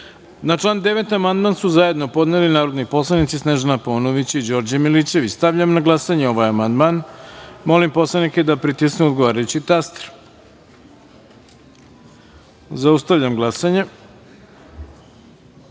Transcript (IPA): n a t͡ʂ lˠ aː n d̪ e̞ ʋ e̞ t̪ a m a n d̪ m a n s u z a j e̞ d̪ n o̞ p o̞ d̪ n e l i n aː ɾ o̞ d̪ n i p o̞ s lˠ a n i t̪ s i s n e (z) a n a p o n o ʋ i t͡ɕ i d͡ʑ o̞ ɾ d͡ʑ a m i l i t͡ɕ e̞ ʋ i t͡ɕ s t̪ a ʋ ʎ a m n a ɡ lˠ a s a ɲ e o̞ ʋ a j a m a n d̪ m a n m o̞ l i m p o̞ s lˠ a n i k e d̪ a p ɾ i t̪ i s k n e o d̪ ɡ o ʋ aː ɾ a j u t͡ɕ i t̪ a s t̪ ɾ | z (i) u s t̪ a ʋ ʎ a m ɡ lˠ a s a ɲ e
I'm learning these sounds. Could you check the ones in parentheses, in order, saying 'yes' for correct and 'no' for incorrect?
no, no

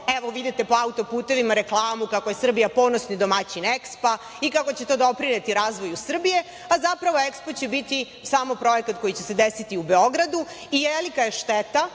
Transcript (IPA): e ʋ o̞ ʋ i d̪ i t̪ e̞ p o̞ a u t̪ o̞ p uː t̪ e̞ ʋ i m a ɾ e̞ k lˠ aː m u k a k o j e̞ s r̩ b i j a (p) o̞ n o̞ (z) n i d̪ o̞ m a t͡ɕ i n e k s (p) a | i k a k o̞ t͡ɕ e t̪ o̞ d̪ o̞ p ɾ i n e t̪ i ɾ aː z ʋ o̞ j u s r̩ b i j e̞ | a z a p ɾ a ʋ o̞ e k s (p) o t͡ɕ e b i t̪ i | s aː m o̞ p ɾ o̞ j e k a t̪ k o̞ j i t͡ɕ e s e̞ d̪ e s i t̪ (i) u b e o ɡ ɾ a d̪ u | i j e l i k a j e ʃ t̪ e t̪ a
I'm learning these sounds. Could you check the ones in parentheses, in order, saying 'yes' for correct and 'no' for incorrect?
yes, no, yes, yes, yes

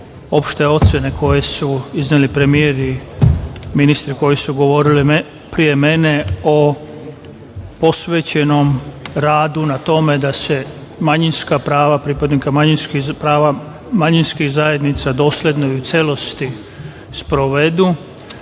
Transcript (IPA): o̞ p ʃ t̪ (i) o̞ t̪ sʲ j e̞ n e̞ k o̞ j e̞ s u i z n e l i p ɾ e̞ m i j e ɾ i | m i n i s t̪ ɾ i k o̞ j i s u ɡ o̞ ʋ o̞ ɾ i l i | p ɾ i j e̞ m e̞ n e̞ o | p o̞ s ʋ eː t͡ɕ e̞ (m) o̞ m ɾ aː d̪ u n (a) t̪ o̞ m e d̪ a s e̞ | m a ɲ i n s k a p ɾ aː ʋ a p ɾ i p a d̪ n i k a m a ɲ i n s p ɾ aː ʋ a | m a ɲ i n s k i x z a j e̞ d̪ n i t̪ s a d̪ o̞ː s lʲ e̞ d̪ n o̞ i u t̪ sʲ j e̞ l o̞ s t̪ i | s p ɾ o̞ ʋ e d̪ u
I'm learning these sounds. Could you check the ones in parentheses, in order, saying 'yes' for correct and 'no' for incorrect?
no, no, yes

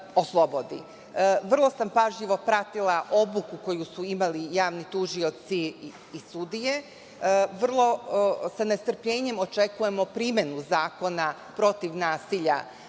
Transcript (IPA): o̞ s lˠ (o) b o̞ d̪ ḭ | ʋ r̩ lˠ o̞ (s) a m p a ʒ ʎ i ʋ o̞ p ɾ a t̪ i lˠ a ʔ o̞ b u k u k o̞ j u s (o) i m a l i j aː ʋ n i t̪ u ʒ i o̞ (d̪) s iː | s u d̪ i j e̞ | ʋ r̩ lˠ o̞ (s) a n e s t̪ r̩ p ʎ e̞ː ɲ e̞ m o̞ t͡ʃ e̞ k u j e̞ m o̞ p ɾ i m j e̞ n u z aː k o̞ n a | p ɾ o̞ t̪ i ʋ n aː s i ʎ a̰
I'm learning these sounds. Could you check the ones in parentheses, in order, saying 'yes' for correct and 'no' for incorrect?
yes, yes, no, no, yes

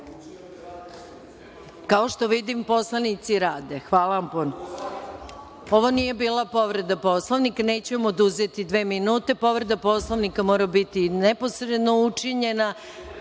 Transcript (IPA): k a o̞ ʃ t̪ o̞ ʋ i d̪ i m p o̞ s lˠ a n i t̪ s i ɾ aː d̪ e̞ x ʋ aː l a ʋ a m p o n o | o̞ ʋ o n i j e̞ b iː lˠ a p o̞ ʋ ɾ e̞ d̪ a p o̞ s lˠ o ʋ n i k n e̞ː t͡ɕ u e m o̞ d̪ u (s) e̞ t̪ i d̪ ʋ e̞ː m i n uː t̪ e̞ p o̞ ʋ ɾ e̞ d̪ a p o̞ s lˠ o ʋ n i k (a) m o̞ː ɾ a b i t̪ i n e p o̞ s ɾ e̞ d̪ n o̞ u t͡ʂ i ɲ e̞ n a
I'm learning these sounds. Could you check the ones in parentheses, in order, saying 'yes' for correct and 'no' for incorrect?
no, yes

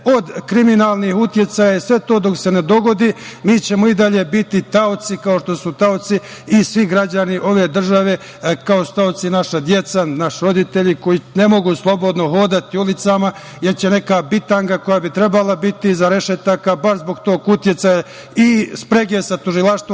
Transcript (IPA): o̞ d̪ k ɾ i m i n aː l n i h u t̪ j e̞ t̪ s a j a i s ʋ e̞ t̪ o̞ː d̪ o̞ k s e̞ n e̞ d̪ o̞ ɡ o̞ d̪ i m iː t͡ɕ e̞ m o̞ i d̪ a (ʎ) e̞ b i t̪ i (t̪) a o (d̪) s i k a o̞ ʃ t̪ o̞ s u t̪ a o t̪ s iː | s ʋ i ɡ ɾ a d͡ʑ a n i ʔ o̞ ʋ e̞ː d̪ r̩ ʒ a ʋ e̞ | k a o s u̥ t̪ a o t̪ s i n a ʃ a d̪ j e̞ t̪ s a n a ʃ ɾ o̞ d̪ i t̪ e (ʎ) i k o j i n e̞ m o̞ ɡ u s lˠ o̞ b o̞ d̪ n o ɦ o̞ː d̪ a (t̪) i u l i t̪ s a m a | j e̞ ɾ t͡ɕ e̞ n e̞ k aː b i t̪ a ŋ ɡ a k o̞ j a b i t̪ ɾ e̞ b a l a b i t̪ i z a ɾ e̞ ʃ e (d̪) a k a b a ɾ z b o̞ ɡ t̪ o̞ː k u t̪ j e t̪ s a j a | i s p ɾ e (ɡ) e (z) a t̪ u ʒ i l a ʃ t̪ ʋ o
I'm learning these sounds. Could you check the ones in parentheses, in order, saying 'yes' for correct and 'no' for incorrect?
yes, yes, no, yes, yes, no, yes, no

